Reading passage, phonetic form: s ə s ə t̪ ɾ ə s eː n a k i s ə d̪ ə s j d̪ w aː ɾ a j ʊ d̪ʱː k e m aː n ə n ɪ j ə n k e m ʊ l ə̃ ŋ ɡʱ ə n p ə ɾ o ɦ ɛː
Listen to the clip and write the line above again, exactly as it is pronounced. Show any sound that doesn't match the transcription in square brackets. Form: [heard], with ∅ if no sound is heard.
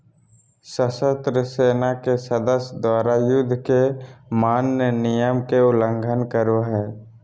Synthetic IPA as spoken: s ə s ə t̪ ɾ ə s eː n a k [e] s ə d̪ ə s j d̪ w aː ɾ a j ʊ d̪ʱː k e m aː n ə n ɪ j ə [m] k e [∅] ʊ l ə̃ ŋ ɡʱ ə n [k] ə ɾ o ɦ ɛː